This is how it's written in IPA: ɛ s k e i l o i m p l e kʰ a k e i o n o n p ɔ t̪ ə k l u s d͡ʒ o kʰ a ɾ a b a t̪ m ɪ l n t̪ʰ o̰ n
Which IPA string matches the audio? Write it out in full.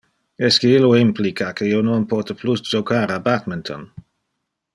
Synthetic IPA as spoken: ɛ s k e i l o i m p l i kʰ a k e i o n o n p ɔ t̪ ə p l u s d͡ʒ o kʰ a ɾ a b a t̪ m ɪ n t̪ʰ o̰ n